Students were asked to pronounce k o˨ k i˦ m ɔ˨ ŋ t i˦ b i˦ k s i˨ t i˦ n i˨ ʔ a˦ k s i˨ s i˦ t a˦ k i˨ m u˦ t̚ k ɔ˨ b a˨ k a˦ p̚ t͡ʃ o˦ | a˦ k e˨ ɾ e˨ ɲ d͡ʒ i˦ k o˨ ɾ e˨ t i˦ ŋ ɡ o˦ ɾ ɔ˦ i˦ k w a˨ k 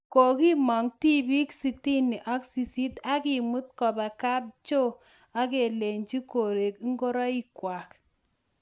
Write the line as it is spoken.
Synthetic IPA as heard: k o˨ k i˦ m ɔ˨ ŋ t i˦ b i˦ k s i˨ t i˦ n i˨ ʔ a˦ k s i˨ s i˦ t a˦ k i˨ m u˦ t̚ k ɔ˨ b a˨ k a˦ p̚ t͡ʃ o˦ | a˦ k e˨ l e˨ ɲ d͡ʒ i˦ k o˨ ɾ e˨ k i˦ ŋ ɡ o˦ ɾ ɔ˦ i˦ k w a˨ k

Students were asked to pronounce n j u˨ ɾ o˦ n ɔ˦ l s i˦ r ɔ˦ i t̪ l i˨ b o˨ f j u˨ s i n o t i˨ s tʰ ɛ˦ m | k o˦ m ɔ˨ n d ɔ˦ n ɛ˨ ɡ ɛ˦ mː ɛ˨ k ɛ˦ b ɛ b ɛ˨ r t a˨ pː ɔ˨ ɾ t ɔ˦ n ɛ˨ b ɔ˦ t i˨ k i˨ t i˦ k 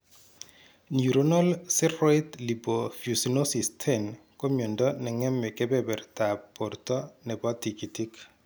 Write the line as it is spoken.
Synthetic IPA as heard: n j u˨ ɾ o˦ n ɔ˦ l s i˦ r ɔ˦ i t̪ l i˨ b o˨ f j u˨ s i n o s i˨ s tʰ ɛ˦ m | k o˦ m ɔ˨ n d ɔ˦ n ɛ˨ ŋ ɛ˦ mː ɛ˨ k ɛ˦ b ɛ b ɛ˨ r t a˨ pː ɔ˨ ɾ t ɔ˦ n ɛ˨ b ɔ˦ t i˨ k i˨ t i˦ k

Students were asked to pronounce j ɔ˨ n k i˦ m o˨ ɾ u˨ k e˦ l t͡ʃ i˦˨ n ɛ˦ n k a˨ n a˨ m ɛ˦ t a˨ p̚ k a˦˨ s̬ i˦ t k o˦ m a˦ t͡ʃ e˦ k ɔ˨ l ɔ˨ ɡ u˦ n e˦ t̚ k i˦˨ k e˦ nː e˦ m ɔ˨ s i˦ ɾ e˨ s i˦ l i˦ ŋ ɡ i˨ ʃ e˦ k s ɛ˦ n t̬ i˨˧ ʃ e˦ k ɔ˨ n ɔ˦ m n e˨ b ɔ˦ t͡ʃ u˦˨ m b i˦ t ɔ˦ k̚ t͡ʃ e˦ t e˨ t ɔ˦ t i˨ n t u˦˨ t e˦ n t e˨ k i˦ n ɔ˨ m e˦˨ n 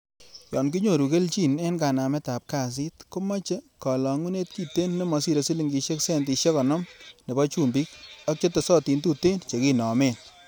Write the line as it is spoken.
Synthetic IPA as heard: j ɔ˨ n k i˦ ɲ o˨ ɾ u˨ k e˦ l t͡ʃ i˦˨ n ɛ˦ n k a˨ n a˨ m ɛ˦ t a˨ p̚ k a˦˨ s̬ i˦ t k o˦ m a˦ t͡ʃ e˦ k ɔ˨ l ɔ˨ ŋ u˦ n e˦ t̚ k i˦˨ t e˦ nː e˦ m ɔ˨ s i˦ ɾ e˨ s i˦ l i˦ ŋ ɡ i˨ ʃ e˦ k s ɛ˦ n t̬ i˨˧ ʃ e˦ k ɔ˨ n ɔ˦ m n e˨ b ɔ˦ t͡ʃ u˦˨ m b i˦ k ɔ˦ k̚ t͡ʃ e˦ t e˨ s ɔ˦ t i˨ n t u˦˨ t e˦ n t͡ʃ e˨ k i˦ n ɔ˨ m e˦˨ n

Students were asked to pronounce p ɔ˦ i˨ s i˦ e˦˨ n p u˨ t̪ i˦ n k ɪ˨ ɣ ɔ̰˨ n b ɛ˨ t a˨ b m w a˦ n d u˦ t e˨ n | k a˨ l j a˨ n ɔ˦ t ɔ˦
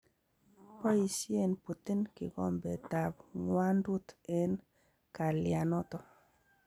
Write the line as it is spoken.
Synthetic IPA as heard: p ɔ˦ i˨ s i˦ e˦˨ n p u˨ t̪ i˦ n k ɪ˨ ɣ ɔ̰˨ m b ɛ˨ t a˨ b ŋ w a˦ n d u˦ t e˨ n | k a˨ l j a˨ n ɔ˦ t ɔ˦

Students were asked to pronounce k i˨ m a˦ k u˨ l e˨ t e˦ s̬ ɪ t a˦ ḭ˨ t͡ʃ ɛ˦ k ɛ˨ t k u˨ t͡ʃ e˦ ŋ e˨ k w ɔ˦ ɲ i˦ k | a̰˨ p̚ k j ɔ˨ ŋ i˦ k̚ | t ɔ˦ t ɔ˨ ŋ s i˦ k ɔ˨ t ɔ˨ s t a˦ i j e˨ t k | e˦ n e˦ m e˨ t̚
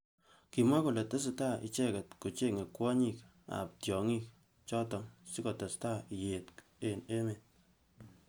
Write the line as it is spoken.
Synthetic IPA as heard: k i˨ m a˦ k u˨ l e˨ t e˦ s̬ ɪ t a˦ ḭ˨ t͡ʃ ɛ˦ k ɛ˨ t k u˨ t͡ʃ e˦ ŋ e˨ k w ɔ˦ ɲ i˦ k | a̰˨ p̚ t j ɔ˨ ŋ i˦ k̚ | t͡ʃ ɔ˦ t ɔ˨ ŋ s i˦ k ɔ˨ t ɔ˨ s t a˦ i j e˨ t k | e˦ n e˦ m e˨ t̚

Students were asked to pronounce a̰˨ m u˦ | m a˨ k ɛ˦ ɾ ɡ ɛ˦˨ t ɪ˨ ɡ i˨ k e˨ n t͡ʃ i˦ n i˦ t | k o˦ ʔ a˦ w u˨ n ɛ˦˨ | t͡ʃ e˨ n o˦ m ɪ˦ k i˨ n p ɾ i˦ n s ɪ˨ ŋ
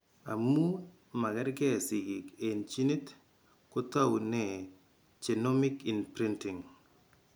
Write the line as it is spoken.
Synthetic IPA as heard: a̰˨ m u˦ | m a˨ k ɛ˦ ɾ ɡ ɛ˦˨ s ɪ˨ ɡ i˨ k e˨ n t͡ʃ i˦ n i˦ t | k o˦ t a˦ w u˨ n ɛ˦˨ | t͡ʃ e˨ n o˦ m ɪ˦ k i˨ n p ɾ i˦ n t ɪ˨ ŋ

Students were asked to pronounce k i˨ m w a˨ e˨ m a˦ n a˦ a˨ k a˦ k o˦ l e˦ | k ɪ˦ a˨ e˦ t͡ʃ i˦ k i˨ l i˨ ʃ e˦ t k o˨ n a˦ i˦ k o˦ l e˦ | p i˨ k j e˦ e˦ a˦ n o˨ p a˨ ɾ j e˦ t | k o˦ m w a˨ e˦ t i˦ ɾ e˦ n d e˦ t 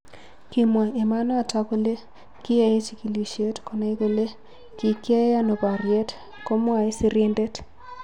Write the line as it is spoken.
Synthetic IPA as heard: k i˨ m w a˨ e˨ m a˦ n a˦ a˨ t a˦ k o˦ l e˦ | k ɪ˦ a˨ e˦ t͡ʃ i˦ k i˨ l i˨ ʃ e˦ t k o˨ n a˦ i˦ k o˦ l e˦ | k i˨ k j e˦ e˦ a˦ n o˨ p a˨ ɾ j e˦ t | k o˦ m w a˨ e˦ s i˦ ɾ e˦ n d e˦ t

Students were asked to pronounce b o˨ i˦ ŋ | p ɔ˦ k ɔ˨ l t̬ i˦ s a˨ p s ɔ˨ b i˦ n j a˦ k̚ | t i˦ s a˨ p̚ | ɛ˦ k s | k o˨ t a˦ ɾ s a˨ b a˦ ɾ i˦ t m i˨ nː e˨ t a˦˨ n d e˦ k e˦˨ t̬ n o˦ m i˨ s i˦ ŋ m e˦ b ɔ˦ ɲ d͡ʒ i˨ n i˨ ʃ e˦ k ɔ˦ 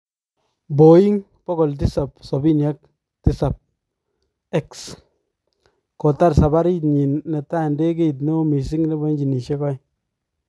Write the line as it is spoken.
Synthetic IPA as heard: b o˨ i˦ ŋ | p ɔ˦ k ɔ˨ l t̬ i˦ s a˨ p s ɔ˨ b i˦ n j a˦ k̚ | t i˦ s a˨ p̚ | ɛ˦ k s | k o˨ t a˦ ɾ s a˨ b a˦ ɾ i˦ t ɲ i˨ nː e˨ t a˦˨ n d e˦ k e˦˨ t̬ n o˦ m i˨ s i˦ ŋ n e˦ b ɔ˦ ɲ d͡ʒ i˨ n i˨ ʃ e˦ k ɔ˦

